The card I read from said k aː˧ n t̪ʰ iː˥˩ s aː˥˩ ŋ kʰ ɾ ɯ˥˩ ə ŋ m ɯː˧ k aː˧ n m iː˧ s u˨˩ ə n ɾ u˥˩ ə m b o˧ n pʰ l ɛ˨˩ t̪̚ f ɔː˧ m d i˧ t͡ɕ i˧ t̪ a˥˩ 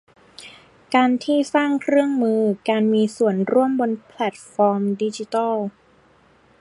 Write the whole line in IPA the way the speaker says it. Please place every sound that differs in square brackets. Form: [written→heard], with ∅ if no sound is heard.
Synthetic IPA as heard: k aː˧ n t̪ʰ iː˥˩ s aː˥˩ ŋ kʰ ɾ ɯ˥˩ ə ŋ m ɯː˧ k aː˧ n m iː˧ s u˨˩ ə n ɾ u˥˩ ə m b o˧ n pʰ l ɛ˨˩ t̪̚ f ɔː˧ m d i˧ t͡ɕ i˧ t̪ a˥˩